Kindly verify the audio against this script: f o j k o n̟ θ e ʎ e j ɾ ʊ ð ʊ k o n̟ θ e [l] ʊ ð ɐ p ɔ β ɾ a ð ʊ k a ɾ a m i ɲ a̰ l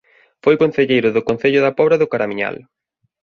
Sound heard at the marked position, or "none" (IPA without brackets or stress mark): ʎ